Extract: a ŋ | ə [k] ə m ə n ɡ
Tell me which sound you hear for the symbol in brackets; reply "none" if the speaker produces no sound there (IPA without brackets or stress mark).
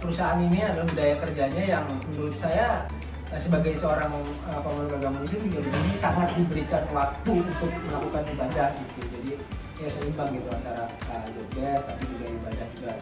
p